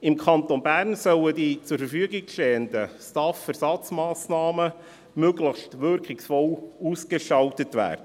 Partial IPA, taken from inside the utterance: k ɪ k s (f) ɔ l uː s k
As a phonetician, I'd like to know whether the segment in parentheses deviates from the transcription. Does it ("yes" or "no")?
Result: no